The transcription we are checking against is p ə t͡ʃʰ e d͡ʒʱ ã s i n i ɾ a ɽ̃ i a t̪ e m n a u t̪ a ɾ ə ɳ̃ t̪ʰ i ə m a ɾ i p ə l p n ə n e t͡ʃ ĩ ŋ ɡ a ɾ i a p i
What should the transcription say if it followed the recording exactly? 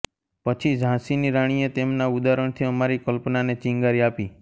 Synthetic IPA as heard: p ə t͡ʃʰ i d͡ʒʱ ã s i n i ɾ a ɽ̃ i e t̪ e m n a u d̪ a ɾ ə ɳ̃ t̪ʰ i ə m a ɾ i k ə l p n a n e t͡ʃ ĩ ŋ ɡ a ɾ i a p i